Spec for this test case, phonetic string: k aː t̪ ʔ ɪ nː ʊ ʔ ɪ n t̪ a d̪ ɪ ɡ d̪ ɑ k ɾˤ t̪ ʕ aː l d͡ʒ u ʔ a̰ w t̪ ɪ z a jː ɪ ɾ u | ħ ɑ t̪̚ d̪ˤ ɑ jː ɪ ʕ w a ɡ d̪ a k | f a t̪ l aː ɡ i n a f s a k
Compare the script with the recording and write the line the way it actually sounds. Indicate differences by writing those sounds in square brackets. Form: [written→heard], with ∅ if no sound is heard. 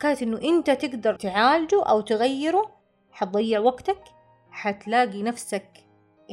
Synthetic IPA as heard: k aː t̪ ʔ ɪ nː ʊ ʔ ɪ n t̪ a [d̪→t̪] ɪ ɡ d̪ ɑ [k→∅] ɾˤ t̪ ʕ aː l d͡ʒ u ʔ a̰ w t̪ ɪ [z→ɣ] a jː ɪ ɾ u | ħ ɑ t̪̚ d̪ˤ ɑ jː ɪ ʕ w a ɡ [d̪→t̪] a k | [f→ħ] a t̪ l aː ɡ i n a f s a k